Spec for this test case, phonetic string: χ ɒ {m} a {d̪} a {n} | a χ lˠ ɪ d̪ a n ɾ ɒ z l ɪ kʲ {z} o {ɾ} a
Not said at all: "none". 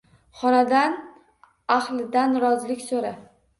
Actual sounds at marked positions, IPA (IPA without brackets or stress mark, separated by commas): n, d̪, n, s, ɾ